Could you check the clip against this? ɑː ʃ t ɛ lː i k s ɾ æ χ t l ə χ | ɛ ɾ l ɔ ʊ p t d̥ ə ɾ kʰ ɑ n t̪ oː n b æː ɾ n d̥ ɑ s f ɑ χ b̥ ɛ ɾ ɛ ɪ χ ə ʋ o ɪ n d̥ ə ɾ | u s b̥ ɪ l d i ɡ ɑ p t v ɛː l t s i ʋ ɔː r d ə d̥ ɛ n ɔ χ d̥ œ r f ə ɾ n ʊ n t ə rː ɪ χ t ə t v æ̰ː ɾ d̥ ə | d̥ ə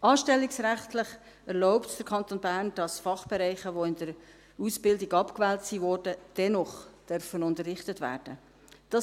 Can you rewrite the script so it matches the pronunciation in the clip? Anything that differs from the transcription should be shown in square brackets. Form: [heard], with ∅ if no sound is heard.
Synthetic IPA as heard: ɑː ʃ t ɛ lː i k s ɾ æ χ t l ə χ | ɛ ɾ l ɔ ʊ p t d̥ ə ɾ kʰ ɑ n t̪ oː n b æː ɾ n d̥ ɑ s f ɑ χ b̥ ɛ ɾ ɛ ɪ χ ə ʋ o ɪ n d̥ ə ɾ | u s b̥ ɪ l d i ɡ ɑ p [k] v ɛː l t s i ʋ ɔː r d ə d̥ ɛ n ɔ χ d̥ œ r f ə [∅] n ʊ n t ə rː ɪ χ t ə t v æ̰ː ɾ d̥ ə | d̥ [ɑ]